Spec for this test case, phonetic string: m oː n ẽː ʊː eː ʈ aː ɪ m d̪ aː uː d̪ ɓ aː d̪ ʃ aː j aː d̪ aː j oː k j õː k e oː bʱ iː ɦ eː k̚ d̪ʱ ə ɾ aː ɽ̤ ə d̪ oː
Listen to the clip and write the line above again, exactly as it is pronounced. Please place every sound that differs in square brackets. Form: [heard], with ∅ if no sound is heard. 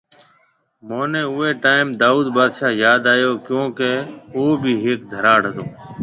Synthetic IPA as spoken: m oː n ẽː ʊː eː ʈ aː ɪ m d̪ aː uː d̪ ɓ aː d̪ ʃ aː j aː d̪ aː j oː k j õː k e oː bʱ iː ɦ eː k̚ d̪ʱ ə ɾ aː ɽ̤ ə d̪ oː